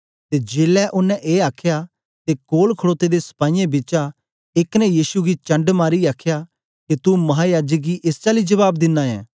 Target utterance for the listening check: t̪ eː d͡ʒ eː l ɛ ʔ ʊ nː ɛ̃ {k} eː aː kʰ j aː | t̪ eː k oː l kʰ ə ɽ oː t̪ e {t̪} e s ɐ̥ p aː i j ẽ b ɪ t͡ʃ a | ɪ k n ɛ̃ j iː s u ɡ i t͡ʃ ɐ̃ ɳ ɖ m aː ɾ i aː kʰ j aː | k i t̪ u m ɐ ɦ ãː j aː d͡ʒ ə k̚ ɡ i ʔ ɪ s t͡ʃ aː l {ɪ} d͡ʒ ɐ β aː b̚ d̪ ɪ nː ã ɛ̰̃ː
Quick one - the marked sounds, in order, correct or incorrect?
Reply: incorrect, incorrect, incorrect

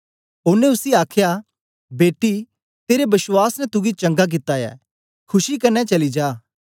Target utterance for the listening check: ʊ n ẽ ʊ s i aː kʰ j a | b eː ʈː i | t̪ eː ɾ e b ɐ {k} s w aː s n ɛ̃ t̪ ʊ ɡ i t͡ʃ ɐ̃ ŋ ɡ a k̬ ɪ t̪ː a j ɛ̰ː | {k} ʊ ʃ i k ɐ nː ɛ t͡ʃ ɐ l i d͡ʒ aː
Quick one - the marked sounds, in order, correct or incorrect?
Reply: incorrect, incorrect

